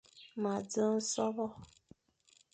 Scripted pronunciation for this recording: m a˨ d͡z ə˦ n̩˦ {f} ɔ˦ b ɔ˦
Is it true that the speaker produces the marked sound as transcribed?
no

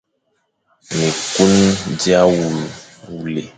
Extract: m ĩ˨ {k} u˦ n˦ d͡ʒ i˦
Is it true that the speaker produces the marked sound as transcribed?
yes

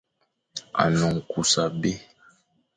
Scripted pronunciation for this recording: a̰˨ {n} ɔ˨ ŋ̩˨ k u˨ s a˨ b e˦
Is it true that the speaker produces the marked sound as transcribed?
yes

